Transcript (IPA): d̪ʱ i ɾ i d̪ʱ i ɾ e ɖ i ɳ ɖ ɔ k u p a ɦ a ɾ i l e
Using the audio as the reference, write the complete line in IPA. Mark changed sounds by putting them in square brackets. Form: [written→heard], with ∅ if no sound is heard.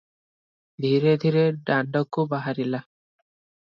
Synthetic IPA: d̪ʱ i ɾ [i→e] d̪ʱ i ɾ e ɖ [i→a] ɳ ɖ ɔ k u [p→b] a ɦ a ɾ i l [e→a]